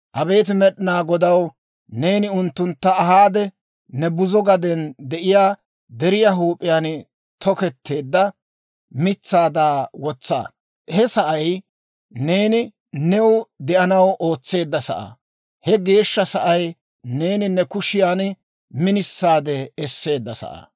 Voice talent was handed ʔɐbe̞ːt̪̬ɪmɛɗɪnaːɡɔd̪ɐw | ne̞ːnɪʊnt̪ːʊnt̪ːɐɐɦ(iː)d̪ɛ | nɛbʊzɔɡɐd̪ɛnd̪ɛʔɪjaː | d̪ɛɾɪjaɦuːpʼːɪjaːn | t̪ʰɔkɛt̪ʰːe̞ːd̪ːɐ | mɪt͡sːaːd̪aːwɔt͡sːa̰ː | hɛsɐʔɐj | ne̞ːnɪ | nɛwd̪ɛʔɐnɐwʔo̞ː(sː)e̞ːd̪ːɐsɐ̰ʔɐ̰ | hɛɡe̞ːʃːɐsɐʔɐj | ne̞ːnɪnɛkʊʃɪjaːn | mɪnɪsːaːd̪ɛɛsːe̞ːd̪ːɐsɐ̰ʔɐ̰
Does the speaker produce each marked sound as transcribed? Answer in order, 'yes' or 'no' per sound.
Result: no, no

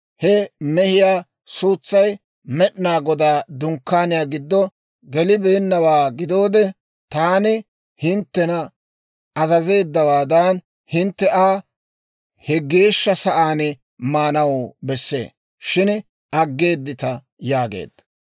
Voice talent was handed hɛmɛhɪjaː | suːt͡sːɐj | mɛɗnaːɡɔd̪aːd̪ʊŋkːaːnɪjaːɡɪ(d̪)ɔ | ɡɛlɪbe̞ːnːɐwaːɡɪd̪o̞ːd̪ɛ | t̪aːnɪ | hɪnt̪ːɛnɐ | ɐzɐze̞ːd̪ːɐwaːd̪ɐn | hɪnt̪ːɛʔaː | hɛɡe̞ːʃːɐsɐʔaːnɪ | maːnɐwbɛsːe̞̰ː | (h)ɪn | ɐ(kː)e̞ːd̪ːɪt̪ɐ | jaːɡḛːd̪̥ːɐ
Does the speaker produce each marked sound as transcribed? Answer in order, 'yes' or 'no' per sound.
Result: no, no, no

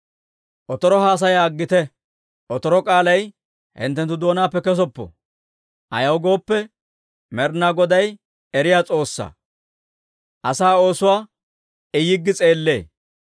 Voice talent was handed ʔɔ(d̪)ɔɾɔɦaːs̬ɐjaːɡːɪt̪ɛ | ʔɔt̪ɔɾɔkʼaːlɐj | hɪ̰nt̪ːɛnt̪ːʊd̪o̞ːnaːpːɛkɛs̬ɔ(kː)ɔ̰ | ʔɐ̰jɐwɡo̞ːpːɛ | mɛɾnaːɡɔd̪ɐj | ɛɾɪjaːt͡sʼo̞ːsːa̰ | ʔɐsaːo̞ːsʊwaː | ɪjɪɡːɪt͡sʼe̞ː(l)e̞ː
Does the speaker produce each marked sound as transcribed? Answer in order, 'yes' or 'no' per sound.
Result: no, no, no

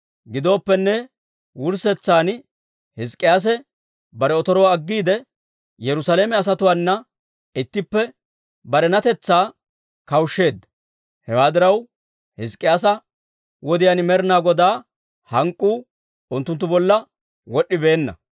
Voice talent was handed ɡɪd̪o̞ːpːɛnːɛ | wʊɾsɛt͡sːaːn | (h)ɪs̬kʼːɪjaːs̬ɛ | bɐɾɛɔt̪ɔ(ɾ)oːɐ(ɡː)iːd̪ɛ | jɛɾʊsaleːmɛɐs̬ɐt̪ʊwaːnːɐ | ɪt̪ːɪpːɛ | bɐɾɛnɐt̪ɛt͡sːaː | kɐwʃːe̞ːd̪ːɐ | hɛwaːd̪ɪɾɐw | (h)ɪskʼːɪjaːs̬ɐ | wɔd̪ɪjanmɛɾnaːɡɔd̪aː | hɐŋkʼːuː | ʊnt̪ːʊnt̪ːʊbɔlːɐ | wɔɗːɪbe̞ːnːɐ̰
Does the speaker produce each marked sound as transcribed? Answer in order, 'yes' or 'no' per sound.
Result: yes, yes, yes, yes

